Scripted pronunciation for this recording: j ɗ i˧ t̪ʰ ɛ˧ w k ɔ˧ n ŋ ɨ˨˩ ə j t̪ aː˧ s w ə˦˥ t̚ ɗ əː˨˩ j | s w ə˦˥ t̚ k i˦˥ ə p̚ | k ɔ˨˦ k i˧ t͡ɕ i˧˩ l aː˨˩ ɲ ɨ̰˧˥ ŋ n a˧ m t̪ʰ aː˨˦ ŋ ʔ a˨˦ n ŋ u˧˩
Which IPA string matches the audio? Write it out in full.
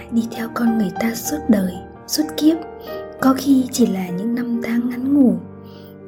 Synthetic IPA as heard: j ɗ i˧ t̪ʰ ɛ˧ w k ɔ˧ n ŋ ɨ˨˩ ə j t̪ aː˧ s w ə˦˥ t̚ ɗ əː˨˩ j | s w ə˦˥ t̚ k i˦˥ ə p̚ | k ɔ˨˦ x i˧ t͡ɕ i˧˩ l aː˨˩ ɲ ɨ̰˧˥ ŋ n a˧ m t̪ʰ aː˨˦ ŋ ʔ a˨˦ n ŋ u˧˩